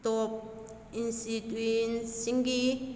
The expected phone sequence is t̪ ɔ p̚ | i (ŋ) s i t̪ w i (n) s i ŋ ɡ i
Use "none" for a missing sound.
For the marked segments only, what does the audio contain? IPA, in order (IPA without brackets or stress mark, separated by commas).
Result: n, n